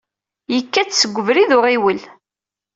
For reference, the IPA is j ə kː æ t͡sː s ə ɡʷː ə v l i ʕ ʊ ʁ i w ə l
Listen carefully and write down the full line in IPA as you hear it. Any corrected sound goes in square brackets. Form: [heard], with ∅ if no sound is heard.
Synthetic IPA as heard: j ə kː æ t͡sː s ə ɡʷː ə v [ɾ] i [ð] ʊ ʁ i w ə l